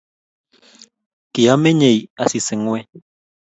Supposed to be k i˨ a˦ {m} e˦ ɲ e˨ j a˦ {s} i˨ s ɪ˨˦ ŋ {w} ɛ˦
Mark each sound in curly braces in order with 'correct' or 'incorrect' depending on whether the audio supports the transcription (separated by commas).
correct, correct, correct